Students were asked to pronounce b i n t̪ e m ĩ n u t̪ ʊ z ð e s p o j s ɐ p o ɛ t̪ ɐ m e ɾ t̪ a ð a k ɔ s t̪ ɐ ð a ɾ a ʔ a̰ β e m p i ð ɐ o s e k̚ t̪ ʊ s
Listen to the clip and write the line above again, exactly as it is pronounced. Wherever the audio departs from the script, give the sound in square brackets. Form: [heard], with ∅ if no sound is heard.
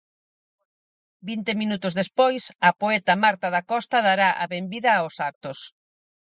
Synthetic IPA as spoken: b i n t̪ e m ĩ n u t̪ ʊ z ð e s p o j s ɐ p o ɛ t̪ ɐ m [a] ɾ t̪ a ð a k ɔ s t̪ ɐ ð a ɾ a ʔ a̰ β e m [b] i ð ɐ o s [a] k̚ t̪ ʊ s